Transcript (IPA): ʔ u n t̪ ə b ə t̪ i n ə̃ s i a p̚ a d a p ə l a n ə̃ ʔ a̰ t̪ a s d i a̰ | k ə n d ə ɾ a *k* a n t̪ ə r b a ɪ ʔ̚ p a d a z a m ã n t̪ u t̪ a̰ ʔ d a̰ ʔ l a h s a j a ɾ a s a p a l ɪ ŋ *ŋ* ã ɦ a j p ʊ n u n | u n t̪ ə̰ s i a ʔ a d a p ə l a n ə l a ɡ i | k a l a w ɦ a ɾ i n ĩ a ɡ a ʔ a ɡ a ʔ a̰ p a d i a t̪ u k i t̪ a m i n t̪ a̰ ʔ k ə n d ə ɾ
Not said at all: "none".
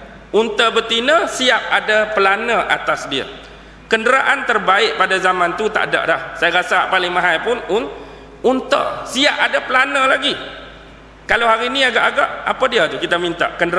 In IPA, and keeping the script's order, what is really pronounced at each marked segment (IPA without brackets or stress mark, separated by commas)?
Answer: ʔ, m